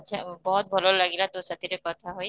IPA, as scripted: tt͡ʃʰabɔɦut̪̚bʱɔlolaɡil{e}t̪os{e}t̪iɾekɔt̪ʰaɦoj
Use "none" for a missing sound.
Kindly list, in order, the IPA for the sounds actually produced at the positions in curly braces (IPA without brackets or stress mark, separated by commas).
a, a